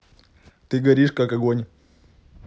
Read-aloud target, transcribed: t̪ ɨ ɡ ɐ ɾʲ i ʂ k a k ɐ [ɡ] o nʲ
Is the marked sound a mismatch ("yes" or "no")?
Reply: no